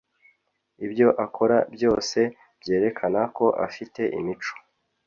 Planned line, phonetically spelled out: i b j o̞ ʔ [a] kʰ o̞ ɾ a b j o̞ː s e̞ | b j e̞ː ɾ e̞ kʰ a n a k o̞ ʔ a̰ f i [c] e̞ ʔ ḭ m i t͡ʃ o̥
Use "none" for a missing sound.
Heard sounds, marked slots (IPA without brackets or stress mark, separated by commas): a, t